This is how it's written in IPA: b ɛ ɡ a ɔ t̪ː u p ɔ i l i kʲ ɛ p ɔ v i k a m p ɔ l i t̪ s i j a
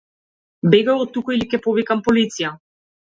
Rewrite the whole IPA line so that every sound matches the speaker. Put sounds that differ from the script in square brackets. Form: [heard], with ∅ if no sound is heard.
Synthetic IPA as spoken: b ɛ ɡ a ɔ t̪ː u [k] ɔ i l i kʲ ɛ p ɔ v i k a m p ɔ l i t̪ s i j a